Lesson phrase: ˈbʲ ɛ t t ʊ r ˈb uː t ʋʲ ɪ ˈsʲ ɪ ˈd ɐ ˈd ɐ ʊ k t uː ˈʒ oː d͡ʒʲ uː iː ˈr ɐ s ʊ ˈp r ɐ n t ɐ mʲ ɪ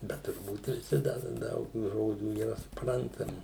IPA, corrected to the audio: ˈbʲ ɛ t t ʊ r ˈb uː t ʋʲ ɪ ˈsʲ ɪ ˈd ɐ ˈd ɐ ʊ k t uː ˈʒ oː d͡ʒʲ uː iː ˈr ɐ s ʊ ˈp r ɐ n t ɐ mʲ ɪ